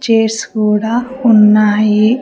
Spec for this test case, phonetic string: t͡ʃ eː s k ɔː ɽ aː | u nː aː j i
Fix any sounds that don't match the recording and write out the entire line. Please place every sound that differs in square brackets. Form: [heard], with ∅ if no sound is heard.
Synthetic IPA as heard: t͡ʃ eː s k [uː] ɽ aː | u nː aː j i